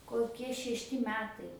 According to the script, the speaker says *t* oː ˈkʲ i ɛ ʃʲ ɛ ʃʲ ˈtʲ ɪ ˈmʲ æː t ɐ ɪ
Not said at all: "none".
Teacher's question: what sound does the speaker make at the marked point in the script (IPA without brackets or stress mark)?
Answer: k